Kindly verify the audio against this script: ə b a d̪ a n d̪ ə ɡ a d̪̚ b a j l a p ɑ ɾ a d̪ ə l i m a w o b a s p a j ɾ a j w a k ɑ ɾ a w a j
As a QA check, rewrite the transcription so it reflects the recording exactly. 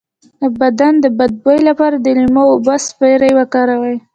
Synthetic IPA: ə b a d̪ a n d̪ ə b a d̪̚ b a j l a p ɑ ɾ a d̪ ə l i m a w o b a s p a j ɾ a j w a k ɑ ɾ a w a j